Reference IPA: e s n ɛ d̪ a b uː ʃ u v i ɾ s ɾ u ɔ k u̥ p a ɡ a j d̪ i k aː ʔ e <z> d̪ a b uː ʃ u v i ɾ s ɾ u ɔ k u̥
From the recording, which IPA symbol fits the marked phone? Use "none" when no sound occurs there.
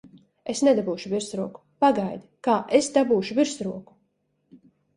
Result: s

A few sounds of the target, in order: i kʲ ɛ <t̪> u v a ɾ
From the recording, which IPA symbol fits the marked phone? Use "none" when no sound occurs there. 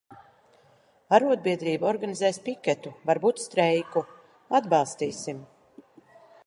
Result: t̪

